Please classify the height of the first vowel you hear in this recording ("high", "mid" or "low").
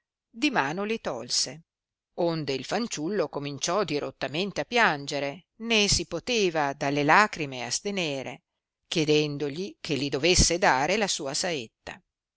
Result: high